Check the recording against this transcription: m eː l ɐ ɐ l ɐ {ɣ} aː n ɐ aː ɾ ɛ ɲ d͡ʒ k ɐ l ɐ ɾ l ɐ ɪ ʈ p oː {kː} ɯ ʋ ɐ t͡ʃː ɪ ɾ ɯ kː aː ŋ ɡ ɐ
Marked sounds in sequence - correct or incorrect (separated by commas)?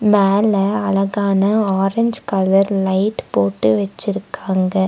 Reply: correct, incorrect